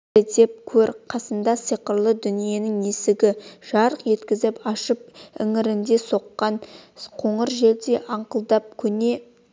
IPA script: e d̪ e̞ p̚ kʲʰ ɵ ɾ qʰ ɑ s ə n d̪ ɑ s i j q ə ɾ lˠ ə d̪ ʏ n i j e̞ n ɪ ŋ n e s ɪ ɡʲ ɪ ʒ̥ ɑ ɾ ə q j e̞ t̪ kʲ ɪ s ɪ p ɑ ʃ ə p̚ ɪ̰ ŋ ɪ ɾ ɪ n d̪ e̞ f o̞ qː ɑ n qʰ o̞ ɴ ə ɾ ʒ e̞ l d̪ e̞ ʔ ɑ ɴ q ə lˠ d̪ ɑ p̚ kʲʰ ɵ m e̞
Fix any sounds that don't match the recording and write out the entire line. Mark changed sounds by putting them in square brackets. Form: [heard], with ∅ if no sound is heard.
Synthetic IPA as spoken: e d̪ e̞ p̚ kʲʰ ɵ ɾ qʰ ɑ s ə n d̪ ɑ s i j q ə ɾ lˠ ə d̪ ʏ n i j e̞ n ɪ ŋ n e s ɪ ɡʲ ɪ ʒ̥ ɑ ɾ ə q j e̞ t̪ kʲ ɪ [z] ɪ p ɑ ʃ ə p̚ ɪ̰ ŋ ɪ ɾ ɪ n d̪ e̞ [s] o̞ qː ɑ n qʰ o̞ ɴ ə ɾ ʒ e̞ l d̪ e̞ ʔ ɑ ɴ q ə lˠ d̪ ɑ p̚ kʲʰ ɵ [n] e̞